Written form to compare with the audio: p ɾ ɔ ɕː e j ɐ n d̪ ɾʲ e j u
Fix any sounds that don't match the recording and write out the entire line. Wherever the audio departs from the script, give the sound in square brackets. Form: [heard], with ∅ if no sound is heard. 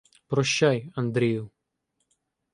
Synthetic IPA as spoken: p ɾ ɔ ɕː [a] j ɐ n d̪ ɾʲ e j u